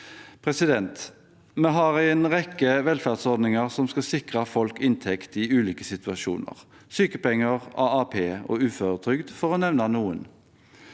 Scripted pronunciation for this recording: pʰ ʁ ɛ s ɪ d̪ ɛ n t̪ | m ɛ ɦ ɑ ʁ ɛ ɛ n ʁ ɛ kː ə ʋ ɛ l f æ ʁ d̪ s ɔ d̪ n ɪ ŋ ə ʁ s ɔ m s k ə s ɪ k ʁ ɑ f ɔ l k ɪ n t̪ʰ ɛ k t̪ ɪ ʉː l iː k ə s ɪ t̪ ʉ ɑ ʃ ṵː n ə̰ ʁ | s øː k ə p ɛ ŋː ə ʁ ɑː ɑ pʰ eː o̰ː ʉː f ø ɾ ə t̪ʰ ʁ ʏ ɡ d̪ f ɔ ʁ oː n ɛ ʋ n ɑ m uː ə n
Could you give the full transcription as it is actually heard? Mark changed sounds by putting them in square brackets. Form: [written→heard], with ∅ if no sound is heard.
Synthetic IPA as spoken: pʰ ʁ ɛ s ɪ d̪ ɛ n t̪ | m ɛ ɦ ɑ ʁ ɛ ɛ n ʁ ɛ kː ə ʋ ɛ l f æ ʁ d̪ s ɔ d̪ n ɪ ŋ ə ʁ s ɔ m s k [ə→ɑ] s ɪ k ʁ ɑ f ɔ l k ɪ n t̪ʰ ɛ k t̪ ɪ ʉː l iː k ə s ɪ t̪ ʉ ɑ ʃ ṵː n ə̰ ʁ | s [øː→yː] k ə p ɛ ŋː ə ʁ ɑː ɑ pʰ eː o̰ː ʉː f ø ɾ ə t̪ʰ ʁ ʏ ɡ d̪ f ɔ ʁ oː n ɛ ʋ n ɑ [m→n] uː ə n